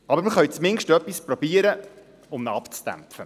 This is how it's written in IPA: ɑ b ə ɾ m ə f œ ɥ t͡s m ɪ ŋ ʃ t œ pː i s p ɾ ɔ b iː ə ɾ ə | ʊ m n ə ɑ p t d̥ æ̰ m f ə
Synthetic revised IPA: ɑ b ə ɾ m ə χ œ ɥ t͡s m ɪ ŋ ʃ t œ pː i s p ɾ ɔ b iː ə ɾ ə | ʊ m n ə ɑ p t͡s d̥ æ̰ m f ə